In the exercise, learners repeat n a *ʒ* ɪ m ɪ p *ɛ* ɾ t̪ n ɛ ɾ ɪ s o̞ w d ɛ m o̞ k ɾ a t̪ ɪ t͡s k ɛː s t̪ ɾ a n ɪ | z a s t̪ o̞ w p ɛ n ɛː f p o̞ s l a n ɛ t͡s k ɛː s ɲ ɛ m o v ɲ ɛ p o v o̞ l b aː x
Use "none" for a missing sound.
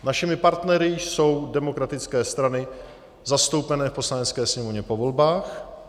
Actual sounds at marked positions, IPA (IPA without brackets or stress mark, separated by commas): ʃ, a